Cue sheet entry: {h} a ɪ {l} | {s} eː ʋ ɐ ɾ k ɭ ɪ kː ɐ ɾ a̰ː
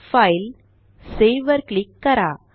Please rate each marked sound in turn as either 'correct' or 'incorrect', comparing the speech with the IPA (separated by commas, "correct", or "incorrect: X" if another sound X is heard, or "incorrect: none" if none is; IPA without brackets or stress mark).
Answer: incorrect: f, correct, correct